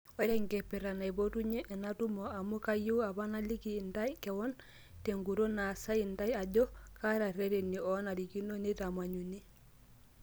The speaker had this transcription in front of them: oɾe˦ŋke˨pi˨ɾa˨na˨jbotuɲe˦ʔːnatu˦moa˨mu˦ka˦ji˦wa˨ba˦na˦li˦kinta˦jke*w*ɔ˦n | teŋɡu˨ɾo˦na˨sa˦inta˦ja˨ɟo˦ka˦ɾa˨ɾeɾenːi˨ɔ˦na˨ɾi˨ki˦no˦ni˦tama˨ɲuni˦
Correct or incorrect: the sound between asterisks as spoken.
correct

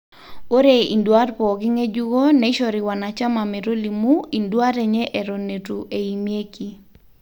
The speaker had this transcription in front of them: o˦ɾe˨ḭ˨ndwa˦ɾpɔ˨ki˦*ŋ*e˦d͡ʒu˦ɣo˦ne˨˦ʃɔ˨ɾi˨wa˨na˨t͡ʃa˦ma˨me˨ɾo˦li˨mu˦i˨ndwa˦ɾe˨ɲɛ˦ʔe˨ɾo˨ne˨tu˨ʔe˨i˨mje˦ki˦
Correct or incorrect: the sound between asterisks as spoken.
correct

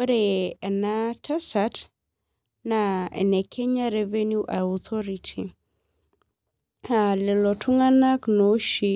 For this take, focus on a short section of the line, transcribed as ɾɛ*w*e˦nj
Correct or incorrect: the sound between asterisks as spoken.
incorrect: v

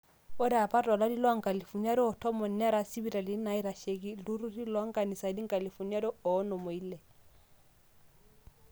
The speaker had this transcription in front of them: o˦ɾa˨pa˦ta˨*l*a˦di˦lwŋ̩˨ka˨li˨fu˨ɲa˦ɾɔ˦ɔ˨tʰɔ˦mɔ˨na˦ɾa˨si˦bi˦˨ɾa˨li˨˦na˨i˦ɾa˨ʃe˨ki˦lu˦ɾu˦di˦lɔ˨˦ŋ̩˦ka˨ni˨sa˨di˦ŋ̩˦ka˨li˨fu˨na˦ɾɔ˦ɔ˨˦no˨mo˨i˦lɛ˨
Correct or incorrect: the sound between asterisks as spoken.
correct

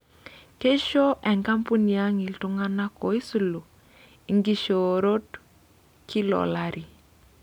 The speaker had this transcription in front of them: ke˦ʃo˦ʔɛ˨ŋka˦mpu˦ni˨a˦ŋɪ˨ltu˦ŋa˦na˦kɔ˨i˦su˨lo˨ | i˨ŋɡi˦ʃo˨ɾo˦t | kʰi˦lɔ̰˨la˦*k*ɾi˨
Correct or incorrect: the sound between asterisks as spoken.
incorrect: none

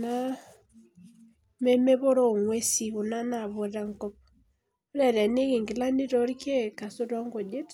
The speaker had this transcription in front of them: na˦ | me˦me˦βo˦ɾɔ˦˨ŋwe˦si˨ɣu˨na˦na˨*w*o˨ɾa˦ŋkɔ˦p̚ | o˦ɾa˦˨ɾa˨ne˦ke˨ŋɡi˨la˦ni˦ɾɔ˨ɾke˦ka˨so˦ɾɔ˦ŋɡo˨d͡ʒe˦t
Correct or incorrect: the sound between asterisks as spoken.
incorrect: β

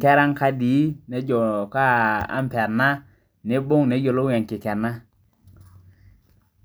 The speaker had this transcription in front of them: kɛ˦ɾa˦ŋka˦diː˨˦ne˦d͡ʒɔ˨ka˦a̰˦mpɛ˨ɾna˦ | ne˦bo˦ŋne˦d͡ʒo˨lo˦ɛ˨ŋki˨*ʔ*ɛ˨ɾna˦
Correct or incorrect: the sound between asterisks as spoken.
incorrect: k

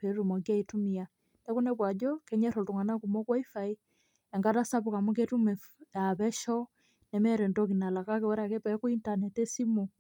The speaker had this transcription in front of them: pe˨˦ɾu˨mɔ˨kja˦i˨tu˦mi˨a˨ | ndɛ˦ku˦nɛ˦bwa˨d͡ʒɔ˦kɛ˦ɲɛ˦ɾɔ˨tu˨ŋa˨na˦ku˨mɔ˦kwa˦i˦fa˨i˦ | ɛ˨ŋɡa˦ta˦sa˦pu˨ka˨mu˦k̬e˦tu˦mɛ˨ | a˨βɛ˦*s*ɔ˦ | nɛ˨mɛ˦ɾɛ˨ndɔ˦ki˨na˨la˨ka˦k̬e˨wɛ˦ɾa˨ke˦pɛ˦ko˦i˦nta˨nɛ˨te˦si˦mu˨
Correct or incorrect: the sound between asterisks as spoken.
incorrect: ʃ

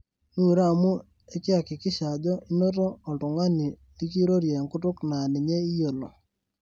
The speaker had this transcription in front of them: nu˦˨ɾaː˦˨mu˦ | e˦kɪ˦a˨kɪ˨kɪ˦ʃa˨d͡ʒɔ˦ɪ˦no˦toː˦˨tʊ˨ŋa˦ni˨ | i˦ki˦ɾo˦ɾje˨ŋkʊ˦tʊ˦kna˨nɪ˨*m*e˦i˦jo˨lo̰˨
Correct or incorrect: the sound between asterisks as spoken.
incorrect: ɲ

